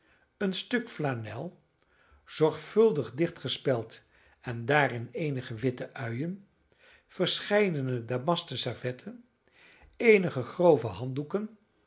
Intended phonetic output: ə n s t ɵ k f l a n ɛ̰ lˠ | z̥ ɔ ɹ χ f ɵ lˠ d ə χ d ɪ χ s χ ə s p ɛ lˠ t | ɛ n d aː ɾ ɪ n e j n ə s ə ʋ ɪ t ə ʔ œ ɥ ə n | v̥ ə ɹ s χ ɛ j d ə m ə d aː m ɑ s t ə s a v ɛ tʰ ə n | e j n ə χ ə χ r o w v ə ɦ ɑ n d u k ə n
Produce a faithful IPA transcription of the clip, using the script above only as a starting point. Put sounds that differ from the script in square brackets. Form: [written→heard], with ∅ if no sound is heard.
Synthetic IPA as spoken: ə n s t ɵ k f l a n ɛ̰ lˠ | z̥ ɔ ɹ χ f ɵ lˠ d ə χ d ɪ χ [s→t] χ ə s p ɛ lˠ t | ɛ n d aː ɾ ɪ n e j n ə [s→χ] ə ʋ ɪ t ə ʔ œ ɥ ə n | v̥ ə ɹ s χ ɛ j d ə [m→n] ə d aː m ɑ s t ə s a v ɛ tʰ ə n | e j n ə χ ə χ r o w v ə ɦ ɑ n d u k ə n

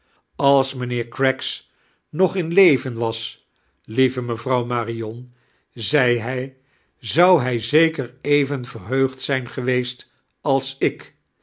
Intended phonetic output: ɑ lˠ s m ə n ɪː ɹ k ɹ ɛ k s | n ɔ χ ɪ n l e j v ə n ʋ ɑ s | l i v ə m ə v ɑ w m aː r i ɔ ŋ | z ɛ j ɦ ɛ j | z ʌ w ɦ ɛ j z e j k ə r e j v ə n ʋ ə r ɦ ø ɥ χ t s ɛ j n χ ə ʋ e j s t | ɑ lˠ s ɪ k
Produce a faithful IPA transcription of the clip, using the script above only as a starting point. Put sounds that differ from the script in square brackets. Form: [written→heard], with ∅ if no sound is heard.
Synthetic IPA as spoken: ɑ lˠ s m ə n ɪː ɹ k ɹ ɛ k s | n ɔ χ ɪ n l e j v ə n ʋ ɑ s | l i v ə m ə v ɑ w m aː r i ɔ [ŋ→n] | z ɛ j ɦ ɛ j | z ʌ w ɦ ɛ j z e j k ə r e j v ə n [ʋ→v] ə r ɦ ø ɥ χ t s ɛ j n χ ə ʋ e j s t | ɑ lˠ s ɪ k

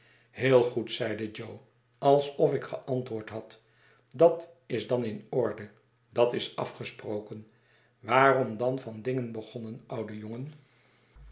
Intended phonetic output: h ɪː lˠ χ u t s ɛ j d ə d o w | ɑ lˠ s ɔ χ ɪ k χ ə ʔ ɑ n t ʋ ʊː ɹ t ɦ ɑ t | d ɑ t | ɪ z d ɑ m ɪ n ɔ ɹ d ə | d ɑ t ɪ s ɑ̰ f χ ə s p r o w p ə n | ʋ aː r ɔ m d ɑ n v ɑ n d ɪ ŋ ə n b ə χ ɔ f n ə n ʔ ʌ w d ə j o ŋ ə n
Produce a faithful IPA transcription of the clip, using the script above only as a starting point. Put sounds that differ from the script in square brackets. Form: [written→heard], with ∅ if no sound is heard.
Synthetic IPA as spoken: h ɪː lˠ χ u t s ɛ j d ə [d→d͡ʒ] o w | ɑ lˠ s ɔ [χ→f] ɪ k χ ə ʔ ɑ n t ʋ ʊː ɹ t ɦ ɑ t | d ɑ t | ɪ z d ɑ [m→n] ɪ n ɔ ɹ d ə | d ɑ t ɪ s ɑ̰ f χ ə s p r o w [p→k] ə n | ʋ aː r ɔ m d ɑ n v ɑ n d ɪ ŋ ə n b ə χ ɔ [f→∅] n ə n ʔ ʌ w d ə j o ŋ ə n

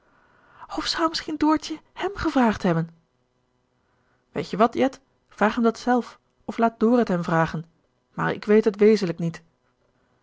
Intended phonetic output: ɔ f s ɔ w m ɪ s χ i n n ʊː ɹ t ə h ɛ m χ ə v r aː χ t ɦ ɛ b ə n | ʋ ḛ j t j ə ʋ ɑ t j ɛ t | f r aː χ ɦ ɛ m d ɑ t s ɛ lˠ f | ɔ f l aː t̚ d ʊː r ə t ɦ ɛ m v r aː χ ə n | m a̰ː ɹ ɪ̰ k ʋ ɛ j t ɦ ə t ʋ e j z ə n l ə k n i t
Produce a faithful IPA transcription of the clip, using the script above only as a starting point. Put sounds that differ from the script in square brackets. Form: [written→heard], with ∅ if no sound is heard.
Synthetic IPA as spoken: ɔ f s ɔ w m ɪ s χ i n [n→d] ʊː ɹ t ə h ɛ m χ ə v r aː χ t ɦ ɛ b ə n | ʋ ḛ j t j ə ʋ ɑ t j ɛ t | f r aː χ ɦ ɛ m d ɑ t s ɛ lˠ f | ɔ f l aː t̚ d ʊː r ə t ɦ ɛ m v r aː χ ə n | m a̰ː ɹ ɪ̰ k ʋ [ɛ→e] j t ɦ ə t ʋ e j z ə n l ə k n i t

